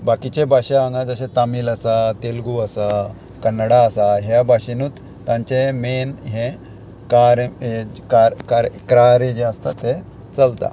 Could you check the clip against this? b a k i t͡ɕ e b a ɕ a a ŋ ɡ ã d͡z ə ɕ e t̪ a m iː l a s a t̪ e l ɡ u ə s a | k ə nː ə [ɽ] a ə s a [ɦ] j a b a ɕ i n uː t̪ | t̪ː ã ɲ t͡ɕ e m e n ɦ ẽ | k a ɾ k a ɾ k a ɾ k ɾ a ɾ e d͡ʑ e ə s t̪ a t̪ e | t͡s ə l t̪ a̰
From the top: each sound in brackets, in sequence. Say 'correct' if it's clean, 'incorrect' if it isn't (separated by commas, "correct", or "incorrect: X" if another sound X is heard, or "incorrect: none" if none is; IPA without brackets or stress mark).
correct, correct